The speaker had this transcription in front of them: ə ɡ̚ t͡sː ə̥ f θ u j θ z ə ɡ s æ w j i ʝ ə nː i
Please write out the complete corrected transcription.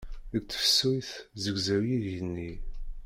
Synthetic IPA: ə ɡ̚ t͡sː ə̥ f s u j θ z ə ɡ z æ w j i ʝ ə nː i